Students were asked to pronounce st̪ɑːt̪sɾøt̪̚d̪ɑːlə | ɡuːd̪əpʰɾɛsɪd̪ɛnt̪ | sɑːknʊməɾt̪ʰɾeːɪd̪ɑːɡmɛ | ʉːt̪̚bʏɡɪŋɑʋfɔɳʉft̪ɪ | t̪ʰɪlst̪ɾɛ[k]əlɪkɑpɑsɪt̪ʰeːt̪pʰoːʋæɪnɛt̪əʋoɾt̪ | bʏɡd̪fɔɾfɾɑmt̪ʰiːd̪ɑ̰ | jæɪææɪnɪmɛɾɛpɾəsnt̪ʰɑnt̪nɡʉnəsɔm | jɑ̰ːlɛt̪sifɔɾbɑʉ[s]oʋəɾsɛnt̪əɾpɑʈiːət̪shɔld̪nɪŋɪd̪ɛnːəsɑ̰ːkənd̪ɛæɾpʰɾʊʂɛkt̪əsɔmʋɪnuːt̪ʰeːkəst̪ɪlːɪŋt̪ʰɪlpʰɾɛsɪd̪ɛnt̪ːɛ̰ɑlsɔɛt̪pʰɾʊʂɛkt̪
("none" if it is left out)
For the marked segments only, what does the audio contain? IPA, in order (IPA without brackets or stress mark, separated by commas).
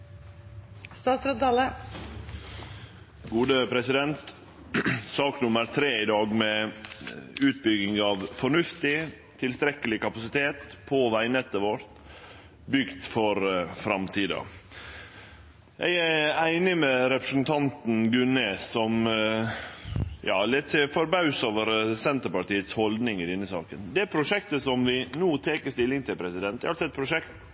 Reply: k, s